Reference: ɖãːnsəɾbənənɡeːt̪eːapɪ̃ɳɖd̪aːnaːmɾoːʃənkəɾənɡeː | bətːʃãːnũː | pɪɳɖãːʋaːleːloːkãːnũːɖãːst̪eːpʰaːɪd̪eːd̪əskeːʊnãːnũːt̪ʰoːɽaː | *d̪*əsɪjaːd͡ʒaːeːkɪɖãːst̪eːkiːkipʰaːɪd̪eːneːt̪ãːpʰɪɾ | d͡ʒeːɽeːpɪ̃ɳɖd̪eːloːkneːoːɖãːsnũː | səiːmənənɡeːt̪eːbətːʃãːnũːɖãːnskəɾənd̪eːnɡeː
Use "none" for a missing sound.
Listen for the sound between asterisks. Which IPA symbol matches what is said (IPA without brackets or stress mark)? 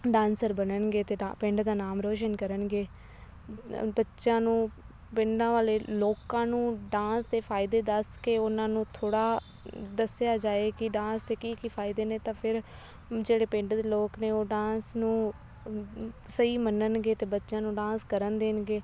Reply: d̪